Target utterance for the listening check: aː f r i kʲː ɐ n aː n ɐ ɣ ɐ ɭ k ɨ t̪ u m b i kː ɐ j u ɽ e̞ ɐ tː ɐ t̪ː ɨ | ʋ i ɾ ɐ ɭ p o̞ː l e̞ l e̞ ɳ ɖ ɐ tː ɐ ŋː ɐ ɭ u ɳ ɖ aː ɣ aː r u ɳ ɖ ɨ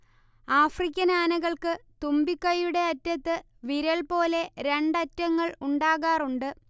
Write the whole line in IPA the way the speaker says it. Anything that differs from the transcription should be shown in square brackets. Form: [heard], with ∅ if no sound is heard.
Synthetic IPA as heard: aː f r i kʲː ɐ n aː n ɐ ɣ ɐ ɭ k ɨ t̪ u m b i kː ɐ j u ɽ e̞ ɐ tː ɐ t̪ː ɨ | ʋ i ɾ ɐ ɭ p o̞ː l e̞ [ɾ] e̞ ɳ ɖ ɐ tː ɐ ŋː ɐ ɭ u ɳ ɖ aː ɣ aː r u ɳ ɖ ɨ